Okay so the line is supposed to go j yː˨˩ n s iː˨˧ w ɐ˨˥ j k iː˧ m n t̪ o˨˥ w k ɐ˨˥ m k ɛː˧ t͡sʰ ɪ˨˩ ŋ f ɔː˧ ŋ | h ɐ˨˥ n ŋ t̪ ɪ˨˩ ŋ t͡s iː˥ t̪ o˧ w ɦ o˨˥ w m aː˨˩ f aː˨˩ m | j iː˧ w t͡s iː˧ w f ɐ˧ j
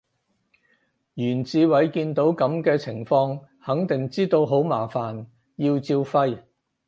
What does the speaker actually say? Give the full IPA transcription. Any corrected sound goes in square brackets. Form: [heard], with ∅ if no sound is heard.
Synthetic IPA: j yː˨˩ n [t͡s] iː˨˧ w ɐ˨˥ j k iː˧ [∅] n t̪ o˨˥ w k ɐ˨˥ m k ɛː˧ t͡sʰ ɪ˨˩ ŋ f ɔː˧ ŋ | h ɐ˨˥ [∅] ŋ t̪ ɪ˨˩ ŋ t͡s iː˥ t̪ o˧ w ɦ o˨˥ w m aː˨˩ f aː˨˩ [n] | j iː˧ w t͡s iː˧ w f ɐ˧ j